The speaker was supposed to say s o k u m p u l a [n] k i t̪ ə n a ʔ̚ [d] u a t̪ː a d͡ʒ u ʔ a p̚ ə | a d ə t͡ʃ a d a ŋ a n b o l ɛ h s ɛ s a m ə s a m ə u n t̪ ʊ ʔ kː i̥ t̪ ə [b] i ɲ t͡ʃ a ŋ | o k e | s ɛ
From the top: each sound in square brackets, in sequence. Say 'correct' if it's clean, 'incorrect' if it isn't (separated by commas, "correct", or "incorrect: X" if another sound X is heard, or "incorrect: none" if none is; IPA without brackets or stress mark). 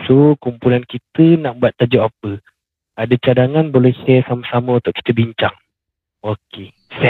correct, incorrect: b, correct